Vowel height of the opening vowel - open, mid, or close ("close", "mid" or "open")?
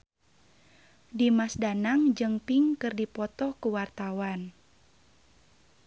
close